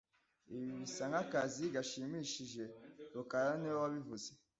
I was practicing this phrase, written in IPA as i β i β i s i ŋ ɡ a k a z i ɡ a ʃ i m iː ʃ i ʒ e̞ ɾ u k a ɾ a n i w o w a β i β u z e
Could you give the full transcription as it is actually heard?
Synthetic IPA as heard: i β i β i s a ŋ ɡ a k a z i ɡ a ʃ i m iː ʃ i ʒ e̞ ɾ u k a ɾ a n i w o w a β i v u z e